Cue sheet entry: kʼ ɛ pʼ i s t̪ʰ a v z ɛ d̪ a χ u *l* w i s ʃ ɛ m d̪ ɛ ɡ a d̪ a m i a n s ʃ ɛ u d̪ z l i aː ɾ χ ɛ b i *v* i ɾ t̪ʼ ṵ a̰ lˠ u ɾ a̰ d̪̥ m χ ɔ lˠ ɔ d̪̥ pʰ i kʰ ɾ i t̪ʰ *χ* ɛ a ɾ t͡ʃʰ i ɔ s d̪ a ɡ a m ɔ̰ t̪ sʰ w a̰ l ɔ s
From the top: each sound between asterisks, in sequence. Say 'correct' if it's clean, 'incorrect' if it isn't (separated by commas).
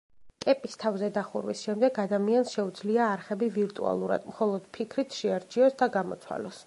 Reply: incorrect, correct, incorrect